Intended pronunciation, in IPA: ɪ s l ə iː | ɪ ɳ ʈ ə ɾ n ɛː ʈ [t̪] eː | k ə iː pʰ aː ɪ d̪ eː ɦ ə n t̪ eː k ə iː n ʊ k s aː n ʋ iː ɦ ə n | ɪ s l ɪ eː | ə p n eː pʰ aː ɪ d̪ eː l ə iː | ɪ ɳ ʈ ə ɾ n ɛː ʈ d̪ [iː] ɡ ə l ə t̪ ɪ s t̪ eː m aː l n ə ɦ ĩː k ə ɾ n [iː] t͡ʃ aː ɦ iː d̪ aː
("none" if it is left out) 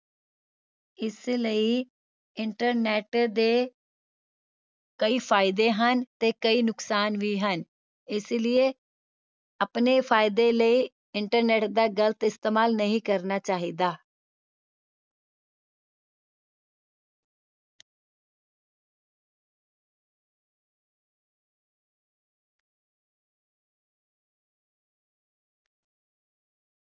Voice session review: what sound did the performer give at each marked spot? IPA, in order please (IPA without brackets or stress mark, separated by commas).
d̪, aː, aː